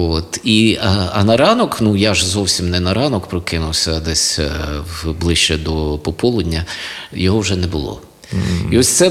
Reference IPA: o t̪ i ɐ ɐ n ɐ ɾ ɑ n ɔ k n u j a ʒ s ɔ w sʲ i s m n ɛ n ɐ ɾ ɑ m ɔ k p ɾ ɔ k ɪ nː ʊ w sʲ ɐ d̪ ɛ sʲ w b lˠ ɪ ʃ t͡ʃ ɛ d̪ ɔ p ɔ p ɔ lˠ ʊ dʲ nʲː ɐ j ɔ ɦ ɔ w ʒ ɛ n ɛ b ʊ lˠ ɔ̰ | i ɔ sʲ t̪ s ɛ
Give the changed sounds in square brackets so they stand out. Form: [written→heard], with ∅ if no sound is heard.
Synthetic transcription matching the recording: o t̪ i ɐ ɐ n ɐ ɾ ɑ n ɔ k n u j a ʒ [s→z] ɔ w sʲ i [s→∅] m n ɛ n ɐ ɾ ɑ [m→n] ɔ k p ɾ ɔ k ɪ [nː→n] ʊ w sʲ ɐ d̪ ɛ sʲ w b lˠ ɪ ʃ t͡ʃ ɛ d̪ ɔ p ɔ p ɔ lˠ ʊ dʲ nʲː ɐ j ɔ ɦ ɔ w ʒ ɛ n ɛ b ʊ lˠ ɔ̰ | i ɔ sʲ t̪ s ɛ